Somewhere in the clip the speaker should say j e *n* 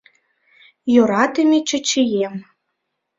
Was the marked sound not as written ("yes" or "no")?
yes